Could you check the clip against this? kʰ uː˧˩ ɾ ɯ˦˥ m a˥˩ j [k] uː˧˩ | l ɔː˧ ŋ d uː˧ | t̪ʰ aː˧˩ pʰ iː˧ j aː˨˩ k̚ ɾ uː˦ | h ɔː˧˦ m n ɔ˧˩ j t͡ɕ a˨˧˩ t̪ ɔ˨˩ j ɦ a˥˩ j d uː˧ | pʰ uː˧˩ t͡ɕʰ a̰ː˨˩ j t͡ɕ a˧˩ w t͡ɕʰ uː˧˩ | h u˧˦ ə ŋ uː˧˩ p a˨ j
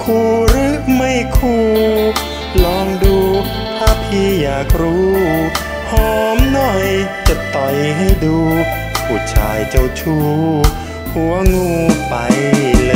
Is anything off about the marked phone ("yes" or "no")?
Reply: yes